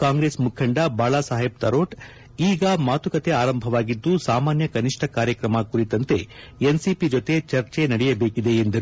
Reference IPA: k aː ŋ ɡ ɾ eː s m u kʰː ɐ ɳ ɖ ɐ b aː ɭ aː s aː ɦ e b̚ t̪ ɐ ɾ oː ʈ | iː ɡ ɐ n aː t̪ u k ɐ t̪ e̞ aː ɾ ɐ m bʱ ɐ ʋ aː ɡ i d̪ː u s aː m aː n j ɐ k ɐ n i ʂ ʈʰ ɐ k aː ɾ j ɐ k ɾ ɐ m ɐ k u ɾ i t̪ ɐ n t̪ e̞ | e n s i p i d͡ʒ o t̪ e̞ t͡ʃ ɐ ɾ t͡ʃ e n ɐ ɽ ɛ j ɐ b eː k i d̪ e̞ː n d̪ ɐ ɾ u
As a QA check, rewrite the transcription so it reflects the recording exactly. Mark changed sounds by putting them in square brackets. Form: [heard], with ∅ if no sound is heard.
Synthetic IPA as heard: k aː ŋ ɡ ɾ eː s m u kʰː ɐ ɳ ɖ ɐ b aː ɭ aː s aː ɦ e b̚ t̪ ɐ ɾ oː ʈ | iː ɡ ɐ [m] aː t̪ u k ɐ t̪ e̞ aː ɾ ɐ m bʱ ɐ ʋ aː ɡ i d̪ː u s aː m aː n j ɐ k ɐ n i ʂ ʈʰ ɐ k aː ɾ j ɐ k ɾ ɐ m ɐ k u ɾ i t̪ ɐ n t̪ e̞ | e n s i p i d͡ʒ o t̪ e̞ t͡ʃ ɐ ɾ t͡ʃ e n ɐ ɽ ɛ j ɐ b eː k i d̪ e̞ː n d̪ ɐ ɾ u